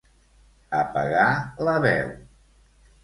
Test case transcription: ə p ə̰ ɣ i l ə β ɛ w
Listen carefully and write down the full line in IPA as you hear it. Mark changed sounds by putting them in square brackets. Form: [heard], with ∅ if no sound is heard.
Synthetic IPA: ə p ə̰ ɣ [a] l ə β ɛ w